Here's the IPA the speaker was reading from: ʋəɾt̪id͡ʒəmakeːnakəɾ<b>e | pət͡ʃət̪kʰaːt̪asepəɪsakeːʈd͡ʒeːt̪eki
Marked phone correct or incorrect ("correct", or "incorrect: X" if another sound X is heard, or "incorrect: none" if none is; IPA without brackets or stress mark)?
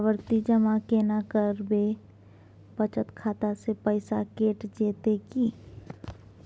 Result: correct